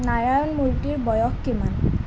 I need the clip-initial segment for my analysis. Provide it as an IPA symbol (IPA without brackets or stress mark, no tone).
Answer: n